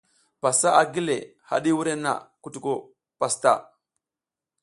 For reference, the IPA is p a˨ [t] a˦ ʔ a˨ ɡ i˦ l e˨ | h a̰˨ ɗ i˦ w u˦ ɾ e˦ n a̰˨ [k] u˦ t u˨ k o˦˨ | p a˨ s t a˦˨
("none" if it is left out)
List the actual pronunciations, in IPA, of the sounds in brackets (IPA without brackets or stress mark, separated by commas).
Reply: s, k